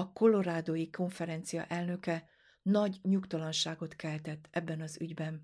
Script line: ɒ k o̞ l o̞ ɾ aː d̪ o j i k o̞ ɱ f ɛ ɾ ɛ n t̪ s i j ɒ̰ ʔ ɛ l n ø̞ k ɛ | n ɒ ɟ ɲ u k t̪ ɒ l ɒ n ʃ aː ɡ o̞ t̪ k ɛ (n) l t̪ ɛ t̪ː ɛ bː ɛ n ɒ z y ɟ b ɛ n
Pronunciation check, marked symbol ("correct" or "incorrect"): incorrect